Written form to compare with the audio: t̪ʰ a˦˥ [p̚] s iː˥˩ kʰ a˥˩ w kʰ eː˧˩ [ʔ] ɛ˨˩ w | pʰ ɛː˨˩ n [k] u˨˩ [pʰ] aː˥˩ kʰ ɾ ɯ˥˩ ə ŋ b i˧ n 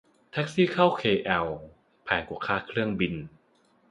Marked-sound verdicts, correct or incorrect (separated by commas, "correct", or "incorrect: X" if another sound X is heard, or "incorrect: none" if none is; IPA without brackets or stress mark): incorrect: k̚, correct, correct, incorrect: kʰ